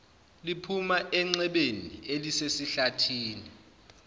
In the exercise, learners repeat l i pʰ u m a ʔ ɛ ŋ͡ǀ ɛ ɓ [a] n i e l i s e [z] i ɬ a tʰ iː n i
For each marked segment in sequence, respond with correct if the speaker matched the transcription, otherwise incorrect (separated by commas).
incorrect, incorrect